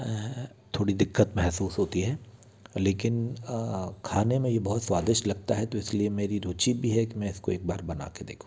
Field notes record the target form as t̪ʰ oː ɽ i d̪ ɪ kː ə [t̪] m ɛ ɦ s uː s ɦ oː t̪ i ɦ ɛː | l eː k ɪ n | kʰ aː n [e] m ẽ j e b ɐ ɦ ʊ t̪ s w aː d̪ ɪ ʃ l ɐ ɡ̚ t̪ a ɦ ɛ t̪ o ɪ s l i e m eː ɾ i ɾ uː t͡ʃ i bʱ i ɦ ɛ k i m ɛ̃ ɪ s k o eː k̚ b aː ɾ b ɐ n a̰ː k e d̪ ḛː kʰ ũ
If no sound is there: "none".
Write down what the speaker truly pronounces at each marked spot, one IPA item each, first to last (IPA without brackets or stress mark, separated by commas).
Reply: t̪, e